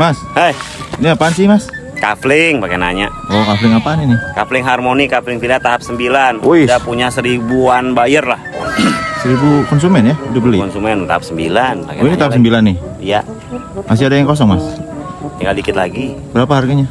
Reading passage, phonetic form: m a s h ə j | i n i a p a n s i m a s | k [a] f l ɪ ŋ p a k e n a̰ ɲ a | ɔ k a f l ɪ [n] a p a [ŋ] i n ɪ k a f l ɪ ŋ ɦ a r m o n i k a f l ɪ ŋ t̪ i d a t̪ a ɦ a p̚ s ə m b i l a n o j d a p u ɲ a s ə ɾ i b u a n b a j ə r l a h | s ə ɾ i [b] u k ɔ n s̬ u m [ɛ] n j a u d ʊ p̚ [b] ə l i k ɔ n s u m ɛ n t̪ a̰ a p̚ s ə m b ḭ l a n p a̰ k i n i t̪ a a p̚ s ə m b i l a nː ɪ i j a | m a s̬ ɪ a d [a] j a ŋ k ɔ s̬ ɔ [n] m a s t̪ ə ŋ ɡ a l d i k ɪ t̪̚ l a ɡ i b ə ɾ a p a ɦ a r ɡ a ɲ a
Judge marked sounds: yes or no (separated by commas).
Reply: yes, no, no, yes, yes, yes, yes, no